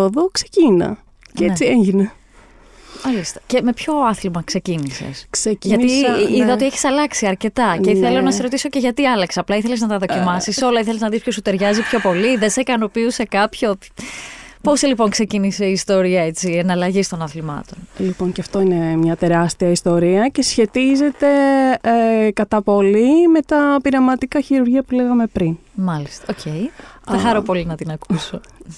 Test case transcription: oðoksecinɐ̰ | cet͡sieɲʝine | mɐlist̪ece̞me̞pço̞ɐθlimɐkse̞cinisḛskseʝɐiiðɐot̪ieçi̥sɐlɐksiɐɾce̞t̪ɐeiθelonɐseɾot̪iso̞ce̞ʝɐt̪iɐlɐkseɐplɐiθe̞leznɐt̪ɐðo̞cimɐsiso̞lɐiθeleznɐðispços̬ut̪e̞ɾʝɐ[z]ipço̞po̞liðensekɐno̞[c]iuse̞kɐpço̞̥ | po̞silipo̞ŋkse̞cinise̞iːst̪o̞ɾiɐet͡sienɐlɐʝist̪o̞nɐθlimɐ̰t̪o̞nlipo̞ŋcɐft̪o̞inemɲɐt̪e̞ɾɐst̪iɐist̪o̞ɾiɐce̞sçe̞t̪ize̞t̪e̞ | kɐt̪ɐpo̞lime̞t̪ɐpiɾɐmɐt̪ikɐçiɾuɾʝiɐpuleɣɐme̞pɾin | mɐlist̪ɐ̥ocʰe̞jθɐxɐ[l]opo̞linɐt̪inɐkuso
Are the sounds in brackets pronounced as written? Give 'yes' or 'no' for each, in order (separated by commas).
yes, no, no